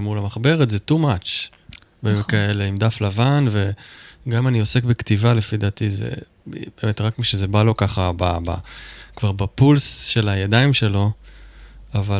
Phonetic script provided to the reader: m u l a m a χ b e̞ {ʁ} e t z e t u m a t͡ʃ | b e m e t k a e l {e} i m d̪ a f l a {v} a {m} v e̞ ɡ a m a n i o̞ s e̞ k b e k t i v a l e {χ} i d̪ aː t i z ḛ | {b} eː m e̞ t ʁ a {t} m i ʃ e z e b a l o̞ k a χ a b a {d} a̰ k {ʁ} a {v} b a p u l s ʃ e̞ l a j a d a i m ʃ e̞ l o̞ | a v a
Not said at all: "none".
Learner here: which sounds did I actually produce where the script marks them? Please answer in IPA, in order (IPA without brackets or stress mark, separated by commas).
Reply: ʁ, e, v, n, f, b, k, b, v, ʁ